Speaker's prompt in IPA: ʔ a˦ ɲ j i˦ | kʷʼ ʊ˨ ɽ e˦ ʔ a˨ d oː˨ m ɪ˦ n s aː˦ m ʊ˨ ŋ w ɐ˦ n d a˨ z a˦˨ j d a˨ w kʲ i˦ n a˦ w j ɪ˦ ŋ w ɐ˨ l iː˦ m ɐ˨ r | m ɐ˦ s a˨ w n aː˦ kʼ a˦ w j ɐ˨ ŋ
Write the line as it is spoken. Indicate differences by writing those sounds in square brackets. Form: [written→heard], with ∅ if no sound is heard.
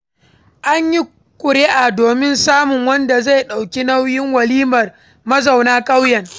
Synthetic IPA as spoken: ʔ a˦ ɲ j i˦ | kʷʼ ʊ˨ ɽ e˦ ʔ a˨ d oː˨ m ɪ˦ n s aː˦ m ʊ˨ ŋ w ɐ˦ n d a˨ z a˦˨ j [d→ɗ] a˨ w kʲ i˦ n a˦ w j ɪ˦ ŋ w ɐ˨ l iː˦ m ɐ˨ r | m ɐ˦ [s→z] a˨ w n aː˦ kʼ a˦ w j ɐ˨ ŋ